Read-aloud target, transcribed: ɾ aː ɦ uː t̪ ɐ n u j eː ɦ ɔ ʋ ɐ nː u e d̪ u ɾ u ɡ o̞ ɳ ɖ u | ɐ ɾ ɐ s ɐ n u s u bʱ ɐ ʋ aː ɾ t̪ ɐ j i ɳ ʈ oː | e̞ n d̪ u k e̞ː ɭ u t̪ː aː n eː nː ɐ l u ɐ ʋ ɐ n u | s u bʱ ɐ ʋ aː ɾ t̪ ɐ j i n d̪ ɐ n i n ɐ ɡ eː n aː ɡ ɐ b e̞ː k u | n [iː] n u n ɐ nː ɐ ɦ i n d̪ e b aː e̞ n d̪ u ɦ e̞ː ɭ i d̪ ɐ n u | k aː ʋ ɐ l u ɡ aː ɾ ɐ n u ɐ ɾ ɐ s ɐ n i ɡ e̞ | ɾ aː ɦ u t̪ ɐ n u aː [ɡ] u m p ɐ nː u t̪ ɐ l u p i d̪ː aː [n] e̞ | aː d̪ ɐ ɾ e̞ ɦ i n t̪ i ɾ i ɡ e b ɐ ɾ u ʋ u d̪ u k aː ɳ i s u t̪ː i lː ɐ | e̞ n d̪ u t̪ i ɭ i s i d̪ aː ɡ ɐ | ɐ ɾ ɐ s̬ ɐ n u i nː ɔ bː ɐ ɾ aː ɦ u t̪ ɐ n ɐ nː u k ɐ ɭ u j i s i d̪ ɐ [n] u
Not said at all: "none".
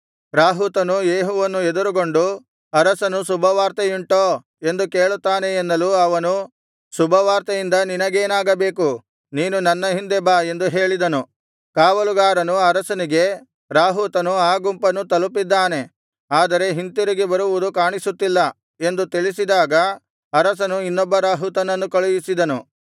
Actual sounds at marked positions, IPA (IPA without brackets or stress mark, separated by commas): iː, ɡ, n, n